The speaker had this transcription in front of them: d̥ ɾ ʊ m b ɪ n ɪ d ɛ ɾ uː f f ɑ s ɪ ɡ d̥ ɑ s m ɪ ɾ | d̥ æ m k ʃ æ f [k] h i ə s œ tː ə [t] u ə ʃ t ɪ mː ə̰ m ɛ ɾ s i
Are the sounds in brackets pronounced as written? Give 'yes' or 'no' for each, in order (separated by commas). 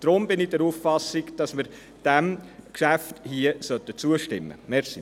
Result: no, no